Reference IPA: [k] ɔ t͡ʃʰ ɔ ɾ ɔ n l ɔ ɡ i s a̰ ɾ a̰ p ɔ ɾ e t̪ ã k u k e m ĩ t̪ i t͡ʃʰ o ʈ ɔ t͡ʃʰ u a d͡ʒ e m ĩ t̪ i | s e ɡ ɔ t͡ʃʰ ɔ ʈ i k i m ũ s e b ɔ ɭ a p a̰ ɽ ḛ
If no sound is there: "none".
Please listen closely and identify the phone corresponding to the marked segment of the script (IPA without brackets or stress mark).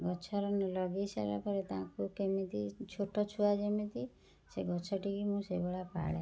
ɡ